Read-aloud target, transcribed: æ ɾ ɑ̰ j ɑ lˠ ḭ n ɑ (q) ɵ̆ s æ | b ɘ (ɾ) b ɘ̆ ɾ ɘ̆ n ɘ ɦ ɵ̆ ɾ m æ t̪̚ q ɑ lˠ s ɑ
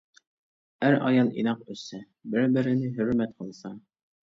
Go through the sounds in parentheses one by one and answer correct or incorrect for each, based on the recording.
correct, correct

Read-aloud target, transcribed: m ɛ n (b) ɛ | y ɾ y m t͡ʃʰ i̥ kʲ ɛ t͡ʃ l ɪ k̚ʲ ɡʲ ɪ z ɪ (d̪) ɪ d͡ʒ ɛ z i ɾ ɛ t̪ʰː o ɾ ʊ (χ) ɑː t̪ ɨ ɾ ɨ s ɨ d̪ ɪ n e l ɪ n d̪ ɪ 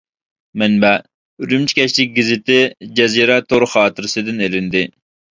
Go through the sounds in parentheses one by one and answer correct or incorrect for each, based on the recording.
correct, incorrect: t̪, correct

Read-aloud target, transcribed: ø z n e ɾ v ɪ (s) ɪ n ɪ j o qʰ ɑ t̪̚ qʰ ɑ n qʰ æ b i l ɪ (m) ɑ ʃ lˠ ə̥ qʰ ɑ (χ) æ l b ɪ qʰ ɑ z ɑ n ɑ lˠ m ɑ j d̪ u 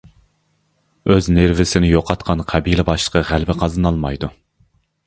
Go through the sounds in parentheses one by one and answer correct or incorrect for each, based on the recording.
correct, incorrect: b, incorrect: ʁ

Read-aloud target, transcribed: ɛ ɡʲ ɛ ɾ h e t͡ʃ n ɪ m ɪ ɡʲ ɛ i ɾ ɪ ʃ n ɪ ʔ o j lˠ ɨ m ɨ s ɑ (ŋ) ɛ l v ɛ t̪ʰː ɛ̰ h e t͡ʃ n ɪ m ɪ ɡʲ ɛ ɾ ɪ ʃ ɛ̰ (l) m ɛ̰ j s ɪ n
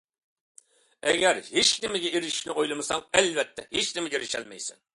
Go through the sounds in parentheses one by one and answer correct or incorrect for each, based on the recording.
correct, correct

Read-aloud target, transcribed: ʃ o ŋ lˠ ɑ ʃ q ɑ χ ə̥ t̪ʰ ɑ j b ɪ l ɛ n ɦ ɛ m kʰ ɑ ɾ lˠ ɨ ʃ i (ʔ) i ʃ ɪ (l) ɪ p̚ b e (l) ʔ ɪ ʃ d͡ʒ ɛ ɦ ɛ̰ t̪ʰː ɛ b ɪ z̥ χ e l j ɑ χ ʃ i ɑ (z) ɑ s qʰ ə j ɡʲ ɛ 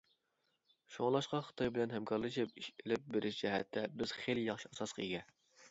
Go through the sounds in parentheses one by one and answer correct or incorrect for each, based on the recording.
incorrect: p, correct, incorrect: ɾ, incorrect: s

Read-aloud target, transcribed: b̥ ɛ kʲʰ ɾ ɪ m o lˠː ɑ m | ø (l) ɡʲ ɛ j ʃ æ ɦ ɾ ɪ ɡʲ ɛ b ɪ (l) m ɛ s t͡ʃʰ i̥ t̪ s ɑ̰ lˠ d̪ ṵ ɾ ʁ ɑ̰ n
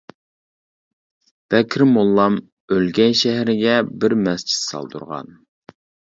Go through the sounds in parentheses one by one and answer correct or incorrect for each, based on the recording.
correct, incorrect: ɾ

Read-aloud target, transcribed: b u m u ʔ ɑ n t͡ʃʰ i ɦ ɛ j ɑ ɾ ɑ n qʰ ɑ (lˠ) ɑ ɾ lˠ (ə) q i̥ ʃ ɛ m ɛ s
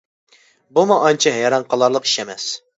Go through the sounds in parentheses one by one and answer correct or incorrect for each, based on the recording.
correct, correct

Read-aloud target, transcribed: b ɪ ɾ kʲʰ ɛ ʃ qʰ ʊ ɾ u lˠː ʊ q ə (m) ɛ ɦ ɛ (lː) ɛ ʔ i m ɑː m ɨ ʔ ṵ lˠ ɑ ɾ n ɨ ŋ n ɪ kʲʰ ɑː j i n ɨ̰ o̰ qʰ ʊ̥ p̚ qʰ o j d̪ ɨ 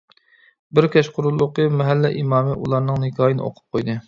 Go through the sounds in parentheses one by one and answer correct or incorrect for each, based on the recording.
correct, correct

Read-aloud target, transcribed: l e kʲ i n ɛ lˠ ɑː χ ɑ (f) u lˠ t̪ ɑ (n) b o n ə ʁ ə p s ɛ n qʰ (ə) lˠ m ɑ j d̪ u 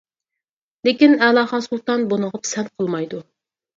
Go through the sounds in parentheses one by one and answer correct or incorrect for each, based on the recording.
incorrect: s, correct, correct

